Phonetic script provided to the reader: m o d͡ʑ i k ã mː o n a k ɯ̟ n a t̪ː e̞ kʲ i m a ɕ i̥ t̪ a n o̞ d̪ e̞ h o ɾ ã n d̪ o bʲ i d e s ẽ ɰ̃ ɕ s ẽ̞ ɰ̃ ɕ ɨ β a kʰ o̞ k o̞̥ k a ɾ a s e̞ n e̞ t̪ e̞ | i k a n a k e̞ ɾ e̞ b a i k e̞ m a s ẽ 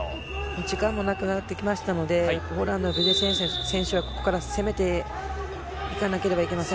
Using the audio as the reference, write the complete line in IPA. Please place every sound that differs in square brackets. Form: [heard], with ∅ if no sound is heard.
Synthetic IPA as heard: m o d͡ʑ i k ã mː o n a k ɯ̟ n a t̪ː e̞ kʲ i m a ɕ i̥ t̪ a n o̞ d̪ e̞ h o ɾ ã n d̪ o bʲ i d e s ẽ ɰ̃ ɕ s ẽ̞ ɰ̃ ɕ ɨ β a [k] o̞ k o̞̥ k a ɾ a s e̞ [m] e̞ t̪ e̞ | i k a n a k e̞ ɾ e̞ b a i k e̞ m a s ẽ